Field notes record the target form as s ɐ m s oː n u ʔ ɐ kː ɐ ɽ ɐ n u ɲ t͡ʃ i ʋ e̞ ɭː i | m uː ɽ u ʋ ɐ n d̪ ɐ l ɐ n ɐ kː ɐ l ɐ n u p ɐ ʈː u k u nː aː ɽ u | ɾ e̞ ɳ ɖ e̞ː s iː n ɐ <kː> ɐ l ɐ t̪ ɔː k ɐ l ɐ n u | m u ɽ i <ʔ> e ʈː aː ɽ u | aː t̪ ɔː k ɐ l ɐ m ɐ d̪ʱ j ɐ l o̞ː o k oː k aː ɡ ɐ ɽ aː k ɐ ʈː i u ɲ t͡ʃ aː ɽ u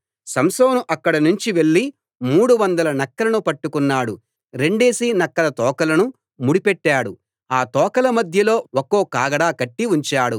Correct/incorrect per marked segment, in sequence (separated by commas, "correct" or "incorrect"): correct, incorrect